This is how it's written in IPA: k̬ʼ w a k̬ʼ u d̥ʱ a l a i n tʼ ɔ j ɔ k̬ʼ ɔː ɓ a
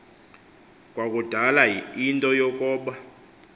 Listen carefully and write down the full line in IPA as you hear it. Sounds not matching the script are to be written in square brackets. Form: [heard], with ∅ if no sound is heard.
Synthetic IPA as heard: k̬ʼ w a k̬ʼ u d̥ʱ a l a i n tʼ ɔ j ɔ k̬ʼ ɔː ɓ a